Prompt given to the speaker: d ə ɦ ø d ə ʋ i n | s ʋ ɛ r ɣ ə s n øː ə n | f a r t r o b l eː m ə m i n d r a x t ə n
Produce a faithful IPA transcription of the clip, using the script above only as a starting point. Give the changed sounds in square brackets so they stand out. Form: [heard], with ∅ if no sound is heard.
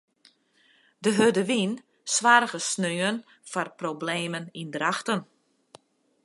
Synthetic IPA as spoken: d ə ɦ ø d ə ʋ i n | s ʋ [a] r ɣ ə s n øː ə n | f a r [p] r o b l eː m ə [n] i n d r a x t ə n